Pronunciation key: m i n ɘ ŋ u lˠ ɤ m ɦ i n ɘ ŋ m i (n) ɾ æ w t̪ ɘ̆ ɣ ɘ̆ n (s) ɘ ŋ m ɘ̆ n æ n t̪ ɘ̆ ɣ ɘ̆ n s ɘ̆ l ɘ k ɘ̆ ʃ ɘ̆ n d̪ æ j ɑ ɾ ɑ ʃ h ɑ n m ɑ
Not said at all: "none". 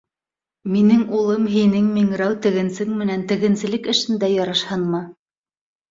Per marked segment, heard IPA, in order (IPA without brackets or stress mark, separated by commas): ŋ, s